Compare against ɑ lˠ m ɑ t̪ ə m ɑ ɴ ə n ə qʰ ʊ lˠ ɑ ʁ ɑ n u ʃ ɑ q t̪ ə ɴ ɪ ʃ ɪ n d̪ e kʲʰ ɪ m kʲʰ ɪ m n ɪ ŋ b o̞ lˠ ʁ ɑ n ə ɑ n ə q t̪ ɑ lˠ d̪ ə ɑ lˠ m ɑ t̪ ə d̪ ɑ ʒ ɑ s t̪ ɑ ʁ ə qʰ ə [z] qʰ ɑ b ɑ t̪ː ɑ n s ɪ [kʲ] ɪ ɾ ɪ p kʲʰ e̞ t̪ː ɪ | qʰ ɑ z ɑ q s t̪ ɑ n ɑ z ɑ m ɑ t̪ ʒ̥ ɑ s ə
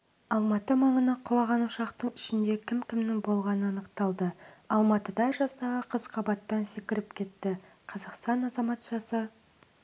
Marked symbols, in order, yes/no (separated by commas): yes, yes